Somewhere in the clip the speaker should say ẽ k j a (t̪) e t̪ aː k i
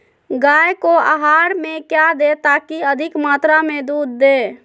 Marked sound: incorrect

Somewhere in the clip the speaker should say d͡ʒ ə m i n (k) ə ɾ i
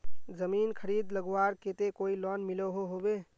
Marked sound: incorrect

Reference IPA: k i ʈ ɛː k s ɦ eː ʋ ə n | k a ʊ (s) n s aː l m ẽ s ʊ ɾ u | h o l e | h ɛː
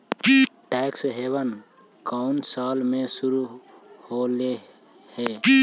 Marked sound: incorrect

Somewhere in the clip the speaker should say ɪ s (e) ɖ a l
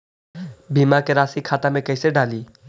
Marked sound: correct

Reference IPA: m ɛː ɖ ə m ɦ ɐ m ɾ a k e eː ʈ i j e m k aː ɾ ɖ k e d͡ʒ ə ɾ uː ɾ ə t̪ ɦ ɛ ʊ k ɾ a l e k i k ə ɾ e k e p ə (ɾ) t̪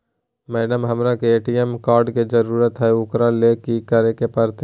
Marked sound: correct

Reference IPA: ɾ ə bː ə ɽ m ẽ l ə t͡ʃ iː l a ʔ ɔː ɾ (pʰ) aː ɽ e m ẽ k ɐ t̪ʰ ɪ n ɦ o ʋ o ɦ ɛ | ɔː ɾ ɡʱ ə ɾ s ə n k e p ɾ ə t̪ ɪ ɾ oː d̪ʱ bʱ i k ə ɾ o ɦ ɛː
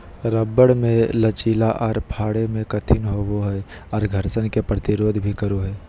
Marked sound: correct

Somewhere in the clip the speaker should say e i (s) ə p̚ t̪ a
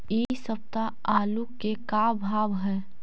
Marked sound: correct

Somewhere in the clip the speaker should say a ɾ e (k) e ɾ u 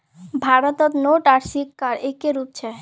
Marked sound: correct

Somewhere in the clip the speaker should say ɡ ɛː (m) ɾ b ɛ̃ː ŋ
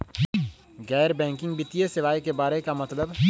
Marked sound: incorrect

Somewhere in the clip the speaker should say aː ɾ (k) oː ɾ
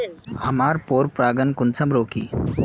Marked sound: incorrect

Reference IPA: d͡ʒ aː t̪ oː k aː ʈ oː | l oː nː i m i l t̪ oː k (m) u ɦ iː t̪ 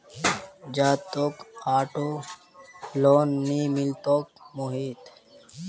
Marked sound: correct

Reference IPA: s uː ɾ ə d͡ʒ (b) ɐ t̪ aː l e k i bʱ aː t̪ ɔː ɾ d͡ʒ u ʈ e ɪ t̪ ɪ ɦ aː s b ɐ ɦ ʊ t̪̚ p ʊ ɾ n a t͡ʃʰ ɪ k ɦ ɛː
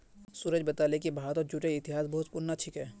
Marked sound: correct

